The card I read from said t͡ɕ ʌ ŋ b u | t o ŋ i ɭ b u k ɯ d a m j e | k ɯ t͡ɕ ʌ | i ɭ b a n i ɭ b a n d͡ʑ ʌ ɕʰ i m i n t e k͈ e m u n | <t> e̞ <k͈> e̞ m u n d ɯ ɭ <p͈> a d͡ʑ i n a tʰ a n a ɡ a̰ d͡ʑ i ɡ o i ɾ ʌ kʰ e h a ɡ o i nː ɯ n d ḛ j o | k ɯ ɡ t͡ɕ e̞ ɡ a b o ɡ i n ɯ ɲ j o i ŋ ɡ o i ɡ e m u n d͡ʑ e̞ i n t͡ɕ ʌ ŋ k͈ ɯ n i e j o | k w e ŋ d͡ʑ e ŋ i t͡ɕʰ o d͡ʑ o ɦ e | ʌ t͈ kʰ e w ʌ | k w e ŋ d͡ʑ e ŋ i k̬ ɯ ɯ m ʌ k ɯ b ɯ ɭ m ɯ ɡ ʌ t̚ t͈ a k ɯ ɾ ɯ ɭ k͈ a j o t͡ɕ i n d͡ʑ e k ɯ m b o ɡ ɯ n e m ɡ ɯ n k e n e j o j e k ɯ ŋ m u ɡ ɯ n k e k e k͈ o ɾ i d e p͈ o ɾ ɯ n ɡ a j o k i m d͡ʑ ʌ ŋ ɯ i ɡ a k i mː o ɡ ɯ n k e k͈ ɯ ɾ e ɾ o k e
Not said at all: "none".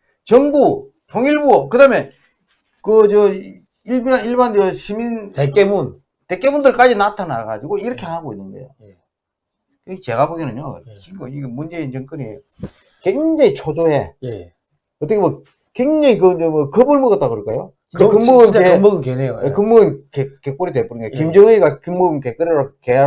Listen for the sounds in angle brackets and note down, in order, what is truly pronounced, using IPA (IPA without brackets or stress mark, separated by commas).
t, k͈, k͈